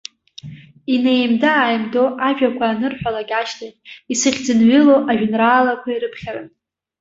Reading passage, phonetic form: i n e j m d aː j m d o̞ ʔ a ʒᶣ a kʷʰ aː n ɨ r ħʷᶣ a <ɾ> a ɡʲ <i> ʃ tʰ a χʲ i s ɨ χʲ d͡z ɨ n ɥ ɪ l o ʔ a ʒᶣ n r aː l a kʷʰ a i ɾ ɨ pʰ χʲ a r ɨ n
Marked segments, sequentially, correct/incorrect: incorrect, incorrect

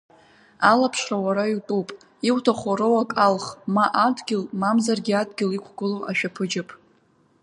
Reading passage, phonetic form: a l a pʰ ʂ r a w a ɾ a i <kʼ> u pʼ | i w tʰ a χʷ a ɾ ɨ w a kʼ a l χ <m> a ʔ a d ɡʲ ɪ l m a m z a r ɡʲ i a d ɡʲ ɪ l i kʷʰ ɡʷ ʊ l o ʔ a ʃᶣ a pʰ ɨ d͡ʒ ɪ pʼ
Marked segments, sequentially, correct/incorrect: incorrect, correct

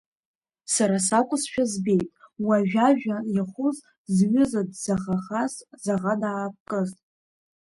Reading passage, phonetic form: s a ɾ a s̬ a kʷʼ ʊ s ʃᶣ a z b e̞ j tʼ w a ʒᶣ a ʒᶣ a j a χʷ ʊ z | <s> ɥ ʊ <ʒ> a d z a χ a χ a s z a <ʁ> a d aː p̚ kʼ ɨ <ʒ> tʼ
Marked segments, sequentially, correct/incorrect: incorrect, incorrect, correct, incorrect

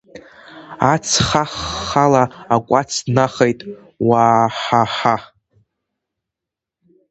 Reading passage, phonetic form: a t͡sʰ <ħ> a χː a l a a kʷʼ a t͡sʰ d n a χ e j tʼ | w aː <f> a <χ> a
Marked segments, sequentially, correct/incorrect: incorrect, incorrect, incorrect

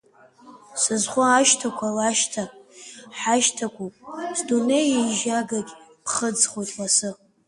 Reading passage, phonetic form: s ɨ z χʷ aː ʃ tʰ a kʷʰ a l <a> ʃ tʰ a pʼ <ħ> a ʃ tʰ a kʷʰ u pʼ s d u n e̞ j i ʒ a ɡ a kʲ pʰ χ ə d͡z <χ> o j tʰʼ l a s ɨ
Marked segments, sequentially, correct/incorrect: correct, correct, correct

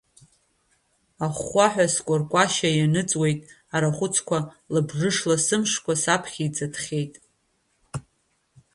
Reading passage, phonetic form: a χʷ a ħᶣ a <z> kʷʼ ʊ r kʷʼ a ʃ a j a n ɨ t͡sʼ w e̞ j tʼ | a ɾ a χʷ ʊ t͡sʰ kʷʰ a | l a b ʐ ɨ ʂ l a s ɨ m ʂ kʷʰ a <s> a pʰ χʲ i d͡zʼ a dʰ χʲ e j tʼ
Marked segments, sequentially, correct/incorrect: incorrect, correct

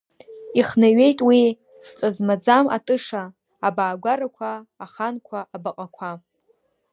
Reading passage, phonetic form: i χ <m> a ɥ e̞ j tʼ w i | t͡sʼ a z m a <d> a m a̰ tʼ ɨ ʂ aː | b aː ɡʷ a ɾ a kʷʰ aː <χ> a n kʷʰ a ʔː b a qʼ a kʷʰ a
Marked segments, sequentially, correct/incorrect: incorrect, incorrect, correct

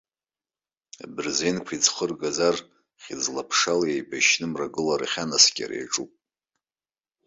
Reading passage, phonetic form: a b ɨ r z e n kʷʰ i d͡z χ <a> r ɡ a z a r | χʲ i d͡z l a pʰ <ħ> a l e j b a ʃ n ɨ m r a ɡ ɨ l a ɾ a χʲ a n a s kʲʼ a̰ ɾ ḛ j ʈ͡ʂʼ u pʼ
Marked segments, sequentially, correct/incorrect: incorrect, incorrect

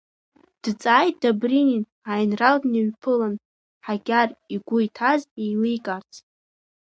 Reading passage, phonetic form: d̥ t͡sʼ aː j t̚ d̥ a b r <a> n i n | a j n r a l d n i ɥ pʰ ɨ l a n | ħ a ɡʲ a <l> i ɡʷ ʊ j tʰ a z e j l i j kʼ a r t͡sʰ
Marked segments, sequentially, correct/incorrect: incorrect, incorrect

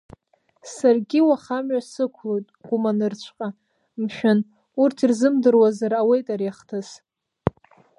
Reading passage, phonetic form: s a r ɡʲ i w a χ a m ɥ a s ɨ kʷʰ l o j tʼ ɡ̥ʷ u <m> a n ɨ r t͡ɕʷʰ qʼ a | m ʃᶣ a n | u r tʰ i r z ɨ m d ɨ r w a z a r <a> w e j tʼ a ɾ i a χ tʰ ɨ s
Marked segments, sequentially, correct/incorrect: correct, correct

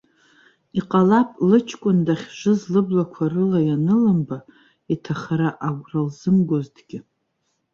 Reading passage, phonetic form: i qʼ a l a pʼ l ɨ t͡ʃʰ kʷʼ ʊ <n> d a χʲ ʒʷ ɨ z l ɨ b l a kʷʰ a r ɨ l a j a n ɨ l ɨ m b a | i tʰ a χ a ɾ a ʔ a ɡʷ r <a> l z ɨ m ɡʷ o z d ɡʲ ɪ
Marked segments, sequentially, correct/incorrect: correct, correct

